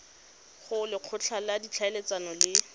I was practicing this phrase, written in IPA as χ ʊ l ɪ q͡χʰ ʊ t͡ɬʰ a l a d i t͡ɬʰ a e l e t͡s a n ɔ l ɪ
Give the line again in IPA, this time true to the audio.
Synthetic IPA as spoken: χ ʊ l ɪ q͡χʰ ʊ t͡ɬʰ a l a d i t͡ɬʰ a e l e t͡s a n ɔ l ɪ